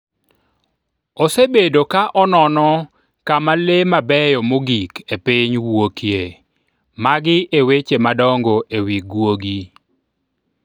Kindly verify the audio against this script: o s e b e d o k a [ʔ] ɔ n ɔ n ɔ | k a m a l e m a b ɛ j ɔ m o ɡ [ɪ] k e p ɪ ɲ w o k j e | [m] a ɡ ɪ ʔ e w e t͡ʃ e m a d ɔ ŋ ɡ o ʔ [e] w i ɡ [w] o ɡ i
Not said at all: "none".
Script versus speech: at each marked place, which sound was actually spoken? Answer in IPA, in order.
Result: ʔ, i, m, e, w

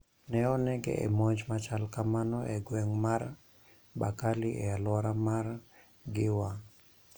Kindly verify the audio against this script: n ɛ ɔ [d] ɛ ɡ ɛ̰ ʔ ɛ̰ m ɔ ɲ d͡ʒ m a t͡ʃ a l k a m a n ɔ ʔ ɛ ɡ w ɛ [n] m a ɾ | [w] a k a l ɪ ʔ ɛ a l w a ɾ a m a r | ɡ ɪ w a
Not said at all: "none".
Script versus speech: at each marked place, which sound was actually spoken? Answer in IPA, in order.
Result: n, ŋ, b

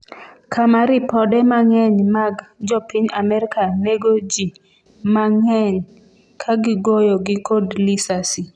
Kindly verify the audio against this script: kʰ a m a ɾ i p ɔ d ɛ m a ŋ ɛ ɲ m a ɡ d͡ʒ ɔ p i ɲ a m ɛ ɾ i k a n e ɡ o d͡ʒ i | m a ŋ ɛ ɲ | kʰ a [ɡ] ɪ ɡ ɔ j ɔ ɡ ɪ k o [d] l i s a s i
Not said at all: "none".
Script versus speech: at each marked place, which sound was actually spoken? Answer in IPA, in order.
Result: ɡ, d

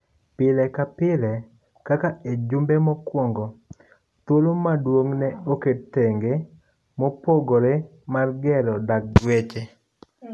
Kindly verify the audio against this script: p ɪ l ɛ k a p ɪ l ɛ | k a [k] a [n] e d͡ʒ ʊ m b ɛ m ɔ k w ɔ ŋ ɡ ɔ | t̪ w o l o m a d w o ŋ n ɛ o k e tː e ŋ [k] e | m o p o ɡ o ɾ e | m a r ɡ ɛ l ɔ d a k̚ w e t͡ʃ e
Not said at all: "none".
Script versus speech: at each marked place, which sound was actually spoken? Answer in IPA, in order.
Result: k, none, ɡ

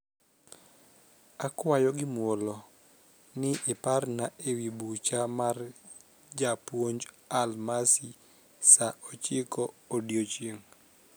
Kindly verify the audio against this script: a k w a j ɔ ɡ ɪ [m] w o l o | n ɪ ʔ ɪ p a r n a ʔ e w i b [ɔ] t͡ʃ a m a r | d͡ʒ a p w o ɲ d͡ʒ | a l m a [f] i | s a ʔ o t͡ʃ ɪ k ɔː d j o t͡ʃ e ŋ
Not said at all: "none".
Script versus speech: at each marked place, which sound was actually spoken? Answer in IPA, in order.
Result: m, u, s

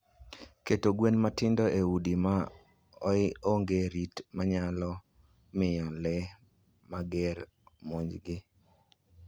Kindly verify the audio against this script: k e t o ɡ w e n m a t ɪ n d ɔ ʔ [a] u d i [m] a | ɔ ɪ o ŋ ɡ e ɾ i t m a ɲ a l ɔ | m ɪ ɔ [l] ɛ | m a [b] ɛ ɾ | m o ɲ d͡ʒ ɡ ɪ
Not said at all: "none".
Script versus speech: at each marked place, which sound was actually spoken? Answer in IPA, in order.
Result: e, m, l, ɡ

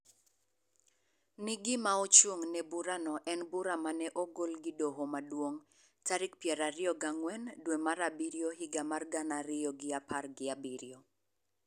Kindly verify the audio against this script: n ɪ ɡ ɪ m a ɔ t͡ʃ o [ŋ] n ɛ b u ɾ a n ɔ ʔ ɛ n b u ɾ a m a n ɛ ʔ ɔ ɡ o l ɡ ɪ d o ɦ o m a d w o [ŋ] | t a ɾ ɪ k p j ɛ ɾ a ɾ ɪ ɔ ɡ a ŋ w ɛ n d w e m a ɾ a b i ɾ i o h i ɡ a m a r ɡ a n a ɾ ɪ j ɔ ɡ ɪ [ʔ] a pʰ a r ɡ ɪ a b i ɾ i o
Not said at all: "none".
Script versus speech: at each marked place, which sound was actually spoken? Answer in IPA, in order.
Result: ŋ, ŋ, none

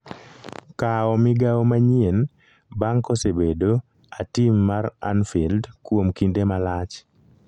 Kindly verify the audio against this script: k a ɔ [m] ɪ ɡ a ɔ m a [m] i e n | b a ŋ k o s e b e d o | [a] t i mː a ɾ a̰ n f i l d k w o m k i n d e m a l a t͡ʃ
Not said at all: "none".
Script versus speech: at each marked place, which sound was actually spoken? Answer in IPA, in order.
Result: m, ɲ, a

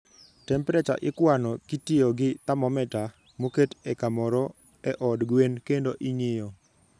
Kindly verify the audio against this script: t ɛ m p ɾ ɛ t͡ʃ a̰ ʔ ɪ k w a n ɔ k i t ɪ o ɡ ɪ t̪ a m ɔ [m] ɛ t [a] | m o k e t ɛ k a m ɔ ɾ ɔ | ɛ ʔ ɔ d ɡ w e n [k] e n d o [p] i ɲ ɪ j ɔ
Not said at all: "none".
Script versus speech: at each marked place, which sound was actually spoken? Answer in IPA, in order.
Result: m, a, k, ʔ

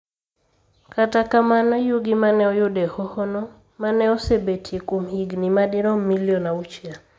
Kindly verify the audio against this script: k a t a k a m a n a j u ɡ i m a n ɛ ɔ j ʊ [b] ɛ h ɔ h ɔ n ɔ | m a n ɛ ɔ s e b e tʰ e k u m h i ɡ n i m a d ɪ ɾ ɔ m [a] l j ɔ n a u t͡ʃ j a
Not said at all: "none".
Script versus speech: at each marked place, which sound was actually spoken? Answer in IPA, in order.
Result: d, i

